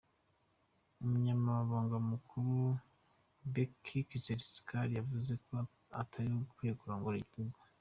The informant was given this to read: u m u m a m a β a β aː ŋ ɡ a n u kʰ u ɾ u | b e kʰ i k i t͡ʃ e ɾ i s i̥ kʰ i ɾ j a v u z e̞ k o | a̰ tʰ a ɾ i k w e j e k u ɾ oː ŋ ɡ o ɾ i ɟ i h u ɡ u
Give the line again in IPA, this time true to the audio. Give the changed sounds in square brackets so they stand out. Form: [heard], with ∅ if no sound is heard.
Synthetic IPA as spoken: u m u [ɲ] a m a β a β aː ŋ ɡ a [m] u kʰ u ɾ u | b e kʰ i k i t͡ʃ e ɾ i s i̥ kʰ [a] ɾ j a v u z e̞ k o | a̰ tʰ a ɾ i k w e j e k u ɾ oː ŋ ɡ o ɾ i ɟ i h u ɡ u